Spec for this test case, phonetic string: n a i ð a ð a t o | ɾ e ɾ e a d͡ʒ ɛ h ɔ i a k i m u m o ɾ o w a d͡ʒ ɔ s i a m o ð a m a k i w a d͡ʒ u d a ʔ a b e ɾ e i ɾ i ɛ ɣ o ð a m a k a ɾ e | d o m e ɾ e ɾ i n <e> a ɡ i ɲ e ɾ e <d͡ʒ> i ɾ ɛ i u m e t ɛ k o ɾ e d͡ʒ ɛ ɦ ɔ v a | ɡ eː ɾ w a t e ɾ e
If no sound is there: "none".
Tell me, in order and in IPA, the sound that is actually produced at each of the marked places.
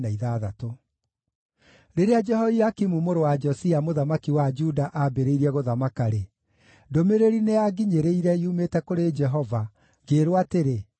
e, none

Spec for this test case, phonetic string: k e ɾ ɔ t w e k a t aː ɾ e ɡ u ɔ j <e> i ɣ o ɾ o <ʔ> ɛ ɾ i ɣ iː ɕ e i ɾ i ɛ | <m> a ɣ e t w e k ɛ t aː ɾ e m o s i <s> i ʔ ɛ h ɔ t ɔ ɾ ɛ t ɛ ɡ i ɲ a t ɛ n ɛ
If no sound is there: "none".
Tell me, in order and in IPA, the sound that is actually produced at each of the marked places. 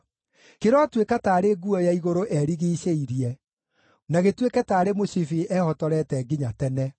a, ʔ, n, f

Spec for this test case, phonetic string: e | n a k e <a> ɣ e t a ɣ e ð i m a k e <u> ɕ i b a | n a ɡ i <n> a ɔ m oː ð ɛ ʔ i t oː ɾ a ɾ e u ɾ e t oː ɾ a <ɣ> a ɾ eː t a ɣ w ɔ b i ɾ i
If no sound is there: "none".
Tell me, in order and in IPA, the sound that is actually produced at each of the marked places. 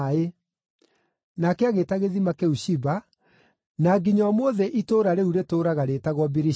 a, u, ɲ, ɣ

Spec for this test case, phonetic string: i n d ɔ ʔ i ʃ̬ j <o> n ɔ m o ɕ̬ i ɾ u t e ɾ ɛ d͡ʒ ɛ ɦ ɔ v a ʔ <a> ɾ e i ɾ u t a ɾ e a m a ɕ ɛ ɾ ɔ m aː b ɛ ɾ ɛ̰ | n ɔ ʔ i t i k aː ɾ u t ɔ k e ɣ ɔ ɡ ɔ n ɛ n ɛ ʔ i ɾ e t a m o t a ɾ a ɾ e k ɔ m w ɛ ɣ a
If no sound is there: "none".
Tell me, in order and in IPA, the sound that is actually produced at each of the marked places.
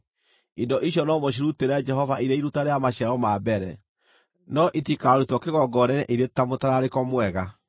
ɔ, i

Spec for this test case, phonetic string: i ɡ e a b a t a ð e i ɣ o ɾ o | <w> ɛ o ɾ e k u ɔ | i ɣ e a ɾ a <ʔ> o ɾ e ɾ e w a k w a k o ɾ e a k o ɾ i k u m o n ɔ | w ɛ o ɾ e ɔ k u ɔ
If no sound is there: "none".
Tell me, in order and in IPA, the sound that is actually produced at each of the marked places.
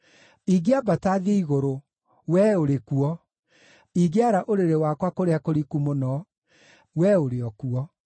w, ʔ

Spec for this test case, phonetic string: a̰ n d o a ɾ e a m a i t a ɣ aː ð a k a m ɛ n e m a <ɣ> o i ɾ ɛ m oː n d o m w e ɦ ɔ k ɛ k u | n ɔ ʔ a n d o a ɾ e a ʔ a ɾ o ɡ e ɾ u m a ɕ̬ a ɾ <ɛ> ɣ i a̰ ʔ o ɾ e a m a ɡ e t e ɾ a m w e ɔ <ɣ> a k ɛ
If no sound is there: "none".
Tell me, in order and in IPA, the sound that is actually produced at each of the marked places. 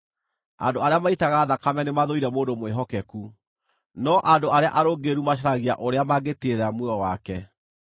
ð, a, w

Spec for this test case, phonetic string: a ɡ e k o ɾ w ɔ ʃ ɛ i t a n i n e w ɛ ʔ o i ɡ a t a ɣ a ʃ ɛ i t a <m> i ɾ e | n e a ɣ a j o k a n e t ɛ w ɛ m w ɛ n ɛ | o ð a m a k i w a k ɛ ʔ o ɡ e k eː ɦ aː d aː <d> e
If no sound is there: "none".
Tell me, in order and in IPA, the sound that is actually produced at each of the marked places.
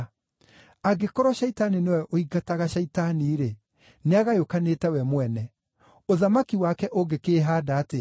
n, t

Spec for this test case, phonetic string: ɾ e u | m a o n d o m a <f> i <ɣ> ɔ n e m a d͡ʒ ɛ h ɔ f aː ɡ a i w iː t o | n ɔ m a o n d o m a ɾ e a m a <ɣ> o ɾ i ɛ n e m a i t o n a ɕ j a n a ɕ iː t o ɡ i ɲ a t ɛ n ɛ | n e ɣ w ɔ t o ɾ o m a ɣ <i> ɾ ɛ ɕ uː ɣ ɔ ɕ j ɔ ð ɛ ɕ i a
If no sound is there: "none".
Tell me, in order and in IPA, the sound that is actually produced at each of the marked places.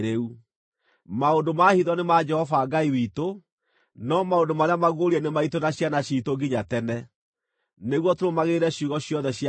h, ð, ɣ, e

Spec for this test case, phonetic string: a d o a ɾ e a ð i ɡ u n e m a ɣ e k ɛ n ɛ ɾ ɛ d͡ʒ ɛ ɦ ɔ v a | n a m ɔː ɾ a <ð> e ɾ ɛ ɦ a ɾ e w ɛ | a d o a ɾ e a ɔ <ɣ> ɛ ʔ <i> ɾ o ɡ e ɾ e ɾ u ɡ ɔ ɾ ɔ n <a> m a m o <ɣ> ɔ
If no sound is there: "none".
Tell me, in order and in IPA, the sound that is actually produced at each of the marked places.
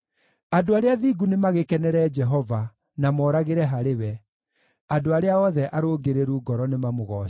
ɣ, ð, a, e, ɣ

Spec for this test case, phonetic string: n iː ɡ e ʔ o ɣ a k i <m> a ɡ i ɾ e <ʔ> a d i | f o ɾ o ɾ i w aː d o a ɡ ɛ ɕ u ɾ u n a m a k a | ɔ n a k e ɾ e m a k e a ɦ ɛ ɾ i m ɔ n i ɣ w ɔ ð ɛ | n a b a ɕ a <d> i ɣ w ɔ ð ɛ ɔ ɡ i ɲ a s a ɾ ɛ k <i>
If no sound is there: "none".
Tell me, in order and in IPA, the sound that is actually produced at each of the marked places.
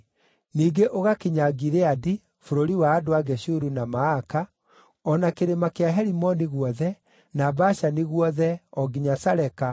ɲ, none, n, a

